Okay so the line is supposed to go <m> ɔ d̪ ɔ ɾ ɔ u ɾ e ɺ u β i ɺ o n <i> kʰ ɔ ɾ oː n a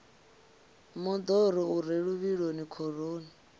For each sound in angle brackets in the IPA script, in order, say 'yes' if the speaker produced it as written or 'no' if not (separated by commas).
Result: yes, yes